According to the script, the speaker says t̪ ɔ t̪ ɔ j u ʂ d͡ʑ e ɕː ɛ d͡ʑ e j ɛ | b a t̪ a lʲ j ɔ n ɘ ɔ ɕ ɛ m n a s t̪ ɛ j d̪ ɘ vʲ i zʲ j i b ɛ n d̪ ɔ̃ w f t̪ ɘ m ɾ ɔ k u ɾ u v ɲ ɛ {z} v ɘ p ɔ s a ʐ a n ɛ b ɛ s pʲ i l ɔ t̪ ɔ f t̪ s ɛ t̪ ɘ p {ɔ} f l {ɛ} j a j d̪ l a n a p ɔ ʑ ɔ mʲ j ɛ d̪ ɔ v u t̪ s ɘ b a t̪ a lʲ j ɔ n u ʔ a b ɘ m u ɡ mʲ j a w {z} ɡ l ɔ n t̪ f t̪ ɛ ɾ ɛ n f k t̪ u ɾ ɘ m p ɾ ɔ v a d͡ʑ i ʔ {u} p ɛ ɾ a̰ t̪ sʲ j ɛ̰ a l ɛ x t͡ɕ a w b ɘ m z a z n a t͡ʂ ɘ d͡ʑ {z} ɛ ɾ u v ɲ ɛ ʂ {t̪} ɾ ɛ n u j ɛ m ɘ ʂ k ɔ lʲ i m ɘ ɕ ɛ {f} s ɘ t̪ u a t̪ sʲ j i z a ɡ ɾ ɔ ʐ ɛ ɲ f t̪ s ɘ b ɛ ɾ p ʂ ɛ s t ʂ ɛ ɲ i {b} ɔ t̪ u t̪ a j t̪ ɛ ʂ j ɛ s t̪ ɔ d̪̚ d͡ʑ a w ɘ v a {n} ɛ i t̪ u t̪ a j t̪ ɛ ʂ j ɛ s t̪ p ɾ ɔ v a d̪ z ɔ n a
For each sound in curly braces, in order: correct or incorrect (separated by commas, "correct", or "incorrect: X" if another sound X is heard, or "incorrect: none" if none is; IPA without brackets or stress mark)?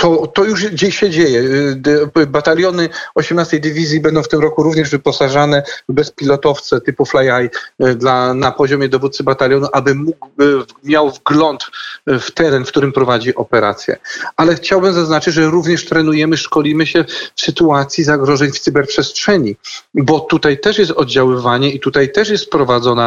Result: incorrect: ʐ, incorrect: u, incorrect: a, incorrect: v, incorrect: ɔ, incorrect: ʐ, correct, correct, correct, incorrect: ɲ